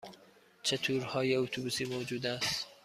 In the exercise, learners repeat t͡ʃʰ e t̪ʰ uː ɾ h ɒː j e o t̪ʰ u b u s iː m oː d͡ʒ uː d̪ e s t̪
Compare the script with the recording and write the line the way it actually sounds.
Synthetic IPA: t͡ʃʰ e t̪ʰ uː ɾ h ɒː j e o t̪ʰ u b u s iː m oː d͡ʒ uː d̪ æ s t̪